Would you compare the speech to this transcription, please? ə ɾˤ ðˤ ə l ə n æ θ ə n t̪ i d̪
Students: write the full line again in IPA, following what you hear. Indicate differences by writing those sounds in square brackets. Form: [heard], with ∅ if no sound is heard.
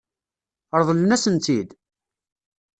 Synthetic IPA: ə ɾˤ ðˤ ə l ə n æ [s] ə n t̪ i d̪

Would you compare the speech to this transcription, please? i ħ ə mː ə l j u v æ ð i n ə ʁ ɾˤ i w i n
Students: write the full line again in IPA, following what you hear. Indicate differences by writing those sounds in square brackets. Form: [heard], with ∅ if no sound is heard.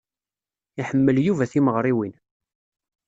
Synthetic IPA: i ħ ə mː ə l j u v æ [θ] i [m] ə ʁ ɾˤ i w i n

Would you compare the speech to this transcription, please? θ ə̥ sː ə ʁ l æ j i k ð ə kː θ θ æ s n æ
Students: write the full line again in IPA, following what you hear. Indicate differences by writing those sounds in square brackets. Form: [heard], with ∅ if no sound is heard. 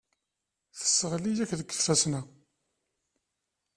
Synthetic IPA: θ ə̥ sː ə ʁ l [i] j [æ] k ð ə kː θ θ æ s n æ

